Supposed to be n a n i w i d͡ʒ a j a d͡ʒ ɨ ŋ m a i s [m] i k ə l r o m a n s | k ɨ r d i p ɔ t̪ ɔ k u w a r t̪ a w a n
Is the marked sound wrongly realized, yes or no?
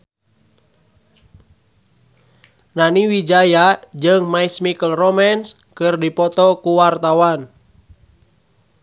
no